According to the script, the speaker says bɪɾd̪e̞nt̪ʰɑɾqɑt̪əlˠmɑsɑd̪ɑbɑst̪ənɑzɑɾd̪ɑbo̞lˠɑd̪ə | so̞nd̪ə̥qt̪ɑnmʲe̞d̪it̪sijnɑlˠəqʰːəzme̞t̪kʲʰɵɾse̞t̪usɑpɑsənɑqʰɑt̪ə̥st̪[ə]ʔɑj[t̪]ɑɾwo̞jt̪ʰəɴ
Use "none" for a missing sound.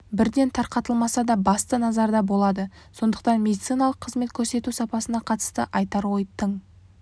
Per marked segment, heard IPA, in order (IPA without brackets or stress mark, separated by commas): ə, t̪